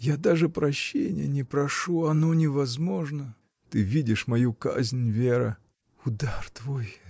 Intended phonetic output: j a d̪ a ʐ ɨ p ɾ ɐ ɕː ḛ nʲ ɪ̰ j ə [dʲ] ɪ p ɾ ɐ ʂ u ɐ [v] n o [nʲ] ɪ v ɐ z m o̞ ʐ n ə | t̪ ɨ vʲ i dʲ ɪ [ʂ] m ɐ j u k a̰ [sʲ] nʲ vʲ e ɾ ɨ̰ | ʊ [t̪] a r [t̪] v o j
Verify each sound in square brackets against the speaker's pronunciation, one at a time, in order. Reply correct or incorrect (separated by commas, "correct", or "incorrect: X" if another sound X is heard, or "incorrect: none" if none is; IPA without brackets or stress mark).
incorrect: nʲ, incorrect: none, correct, correct, incorrect: zʲ, incorrect: d̪, correct